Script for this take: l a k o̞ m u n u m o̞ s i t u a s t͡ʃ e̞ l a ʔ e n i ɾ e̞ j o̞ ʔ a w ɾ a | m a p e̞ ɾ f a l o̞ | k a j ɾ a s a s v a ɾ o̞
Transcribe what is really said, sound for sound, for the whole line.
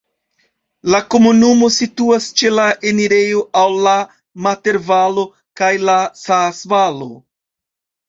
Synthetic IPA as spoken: l a k o̞ m u n u m o̞ s i t u a s t͡ʃ e̞ l a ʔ e n i ɾ e̞ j o̞ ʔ a w l a | m a t e̞ ɾ v a l o̞ | k a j l a s a s v a l o̞